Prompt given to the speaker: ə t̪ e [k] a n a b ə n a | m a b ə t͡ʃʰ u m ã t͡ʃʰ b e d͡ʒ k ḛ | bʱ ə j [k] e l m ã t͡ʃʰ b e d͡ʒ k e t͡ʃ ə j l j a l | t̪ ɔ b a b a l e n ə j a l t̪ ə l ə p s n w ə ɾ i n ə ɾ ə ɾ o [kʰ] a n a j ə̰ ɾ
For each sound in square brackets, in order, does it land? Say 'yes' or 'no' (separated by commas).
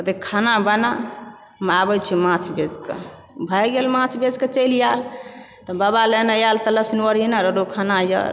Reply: no, no, yes